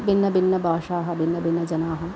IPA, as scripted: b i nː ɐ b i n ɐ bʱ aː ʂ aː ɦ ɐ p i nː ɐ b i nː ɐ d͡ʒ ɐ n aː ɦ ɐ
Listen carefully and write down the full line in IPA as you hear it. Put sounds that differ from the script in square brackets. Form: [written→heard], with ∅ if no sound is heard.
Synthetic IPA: b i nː ɐ b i [n→nː] ɐ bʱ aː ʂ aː ɦ ɐ [p→b] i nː ɐ b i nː ɐ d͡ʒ ɐ n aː ɦ ɐ